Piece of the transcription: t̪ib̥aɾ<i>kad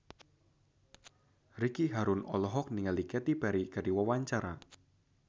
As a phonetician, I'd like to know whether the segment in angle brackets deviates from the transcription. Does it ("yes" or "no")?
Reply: no